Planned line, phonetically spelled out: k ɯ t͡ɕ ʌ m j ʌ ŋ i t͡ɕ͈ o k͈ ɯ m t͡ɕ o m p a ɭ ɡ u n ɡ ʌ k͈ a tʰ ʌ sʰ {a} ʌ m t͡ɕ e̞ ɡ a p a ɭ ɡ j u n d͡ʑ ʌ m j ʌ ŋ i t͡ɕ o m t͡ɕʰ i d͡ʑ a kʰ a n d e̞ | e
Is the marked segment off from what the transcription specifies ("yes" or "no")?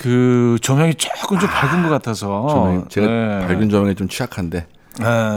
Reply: yes